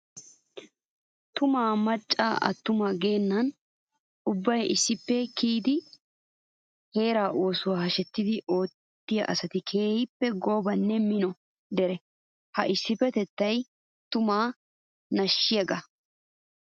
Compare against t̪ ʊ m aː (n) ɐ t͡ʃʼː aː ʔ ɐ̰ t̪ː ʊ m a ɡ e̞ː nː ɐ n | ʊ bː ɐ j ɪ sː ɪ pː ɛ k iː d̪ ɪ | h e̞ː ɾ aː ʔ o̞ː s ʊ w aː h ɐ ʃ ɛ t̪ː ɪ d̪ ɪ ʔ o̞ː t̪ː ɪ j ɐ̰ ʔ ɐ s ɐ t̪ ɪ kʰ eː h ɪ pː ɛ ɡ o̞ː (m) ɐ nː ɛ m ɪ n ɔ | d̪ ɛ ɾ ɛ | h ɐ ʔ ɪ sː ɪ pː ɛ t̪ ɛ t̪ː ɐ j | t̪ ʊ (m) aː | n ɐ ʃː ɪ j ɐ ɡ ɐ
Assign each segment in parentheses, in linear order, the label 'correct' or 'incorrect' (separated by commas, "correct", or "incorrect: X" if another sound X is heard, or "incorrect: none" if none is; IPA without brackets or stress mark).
incorrect: m, incorrect: b, correct